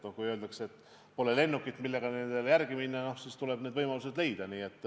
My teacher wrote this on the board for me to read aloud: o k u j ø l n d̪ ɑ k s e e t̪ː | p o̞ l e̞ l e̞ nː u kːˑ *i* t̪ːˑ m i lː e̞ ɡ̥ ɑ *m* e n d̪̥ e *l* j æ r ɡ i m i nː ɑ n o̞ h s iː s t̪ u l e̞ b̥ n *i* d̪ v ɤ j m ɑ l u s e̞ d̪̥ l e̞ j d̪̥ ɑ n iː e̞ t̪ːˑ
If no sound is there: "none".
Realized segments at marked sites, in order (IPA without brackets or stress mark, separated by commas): i, n, l, e